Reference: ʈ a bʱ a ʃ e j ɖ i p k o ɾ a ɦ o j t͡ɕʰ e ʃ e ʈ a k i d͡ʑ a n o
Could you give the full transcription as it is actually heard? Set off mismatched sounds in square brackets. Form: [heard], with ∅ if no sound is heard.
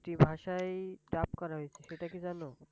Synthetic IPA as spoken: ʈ [i] bʱ a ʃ [a] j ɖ [a] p k [ɔ] ɾ a ɦ o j t͡ɕʰ e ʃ e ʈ a k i d͡ʑ a n o